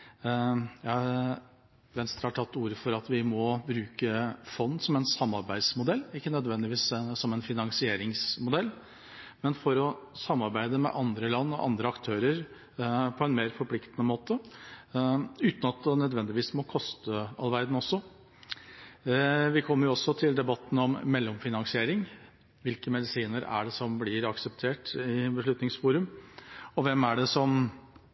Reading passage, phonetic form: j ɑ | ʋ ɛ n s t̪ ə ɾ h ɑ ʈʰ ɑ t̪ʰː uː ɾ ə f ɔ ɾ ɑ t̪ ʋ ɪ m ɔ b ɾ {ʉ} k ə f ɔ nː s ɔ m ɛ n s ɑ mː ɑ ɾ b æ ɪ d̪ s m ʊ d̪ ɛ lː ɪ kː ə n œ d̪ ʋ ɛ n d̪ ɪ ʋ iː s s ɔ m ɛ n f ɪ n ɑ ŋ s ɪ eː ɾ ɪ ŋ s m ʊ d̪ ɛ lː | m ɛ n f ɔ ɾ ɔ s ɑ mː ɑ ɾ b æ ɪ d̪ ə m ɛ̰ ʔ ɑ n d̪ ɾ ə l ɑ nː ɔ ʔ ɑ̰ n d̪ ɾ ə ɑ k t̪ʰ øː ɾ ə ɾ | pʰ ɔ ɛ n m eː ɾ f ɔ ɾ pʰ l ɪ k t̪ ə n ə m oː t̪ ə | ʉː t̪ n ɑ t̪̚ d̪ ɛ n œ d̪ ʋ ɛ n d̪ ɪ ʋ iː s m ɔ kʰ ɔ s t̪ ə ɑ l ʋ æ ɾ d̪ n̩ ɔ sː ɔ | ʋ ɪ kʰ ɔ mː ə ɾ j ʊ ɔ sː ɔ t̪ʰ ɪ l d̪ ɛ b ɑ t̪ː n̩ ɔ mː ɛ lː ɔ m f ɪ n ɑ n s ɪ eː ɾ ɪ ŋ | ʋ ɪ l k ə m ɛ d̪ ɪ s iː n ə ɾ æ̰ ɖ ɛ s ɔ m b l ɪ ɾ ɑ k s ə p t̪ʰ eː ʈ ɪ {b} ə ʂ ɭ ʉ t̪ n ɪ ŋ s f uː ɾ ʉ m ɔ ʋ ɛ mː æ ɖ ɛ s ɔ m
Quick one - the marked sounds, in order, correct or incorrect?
incorrect, correct

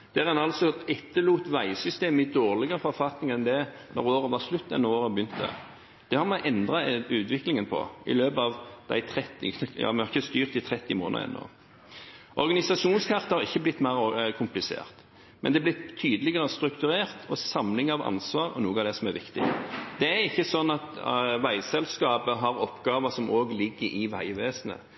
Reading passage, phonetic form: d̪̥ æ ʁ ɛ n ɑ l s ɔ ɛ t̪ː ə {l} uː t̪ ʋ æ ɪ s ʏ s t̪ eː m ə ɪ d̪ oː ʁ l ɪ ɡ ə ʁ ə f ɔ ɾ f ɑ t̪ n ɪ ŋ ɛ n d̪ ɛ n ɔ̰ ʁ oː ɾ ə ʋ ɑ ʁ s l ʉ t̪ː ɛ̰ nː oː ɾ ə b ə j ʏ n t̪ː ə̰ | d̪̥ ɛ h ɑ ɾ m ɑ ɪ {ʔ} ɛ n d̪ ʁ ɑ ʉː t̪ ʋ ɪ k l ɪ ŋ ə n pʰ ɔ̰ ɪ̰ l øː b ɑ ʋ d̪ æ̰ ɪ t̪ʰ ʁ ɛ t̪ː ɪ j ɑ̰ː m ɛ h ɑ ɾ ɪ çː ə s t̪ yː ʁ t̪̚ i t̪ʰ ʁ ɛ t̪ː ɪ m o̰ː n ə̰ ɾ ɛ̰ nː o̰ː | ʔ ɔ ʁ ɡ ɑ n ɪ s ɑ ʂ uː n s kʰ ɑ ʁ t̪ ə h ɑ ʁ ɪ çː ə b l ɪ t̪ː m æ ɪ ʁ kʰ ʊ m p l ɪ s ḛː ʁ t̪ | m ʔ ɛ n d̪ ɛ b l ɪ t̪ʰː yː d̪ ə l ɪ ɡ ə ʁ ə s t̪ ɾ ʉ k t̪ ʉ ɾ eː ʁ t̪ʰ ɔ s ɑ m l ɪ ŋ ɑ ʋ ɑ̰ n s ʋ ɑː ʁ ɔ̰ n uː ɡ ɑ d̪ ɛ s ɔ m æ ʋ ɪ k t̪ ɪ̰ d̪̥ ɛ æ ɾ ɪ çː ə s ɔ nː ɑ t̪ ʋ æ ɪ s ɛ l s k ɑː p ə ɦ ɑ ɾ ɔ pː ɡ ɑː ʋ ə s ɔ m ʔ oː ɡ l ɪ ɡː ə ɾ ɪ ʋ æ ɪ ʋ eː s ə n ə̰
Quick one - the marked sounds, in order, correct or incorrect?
correct, correct

